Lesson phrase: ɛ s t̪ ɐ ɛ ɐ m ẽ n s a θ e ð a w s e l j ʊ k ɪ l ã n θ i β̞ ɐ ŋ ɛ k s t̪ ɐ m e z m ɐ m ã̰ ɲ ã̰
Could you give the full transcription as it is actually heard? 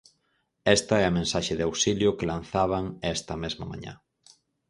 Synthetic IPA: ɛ s t̪ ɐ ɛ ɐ m ẽ n s a ʃ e ð a w s i l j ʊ k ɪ l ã n θ a β̞ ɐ ŋ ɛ s t̪ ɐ m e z m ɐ m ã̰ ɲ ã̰